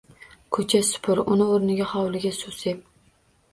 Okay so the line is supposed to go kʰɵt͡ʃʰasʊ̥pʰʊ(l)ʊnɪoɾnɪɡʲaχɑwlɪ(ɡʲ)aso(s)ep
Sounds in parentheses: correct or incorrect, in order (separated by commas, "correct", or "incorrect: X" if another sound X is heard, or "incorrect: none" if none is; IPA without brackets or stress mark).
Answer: incorrect: ɾ, correct, correct